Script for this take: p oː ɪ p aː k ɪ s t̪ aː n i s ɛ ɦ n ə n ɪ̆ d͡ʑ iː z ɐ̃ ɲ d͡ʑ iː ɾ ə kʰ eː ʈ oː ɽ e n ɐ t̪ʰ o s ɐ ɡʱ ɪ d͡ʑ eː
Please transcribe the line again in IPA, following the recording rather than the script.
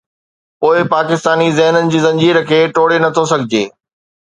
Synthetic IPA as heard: p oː ɪ p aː k ɪ s t̪ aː n i z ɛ ɦ n ə n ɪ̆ d͡ʑ iː z ɐ̃ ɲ d͡ʑ iː ɾ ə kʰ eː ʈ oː ɽ e n ɐ t̪ʰ o s ɐ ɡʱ ɪ d͡ʑ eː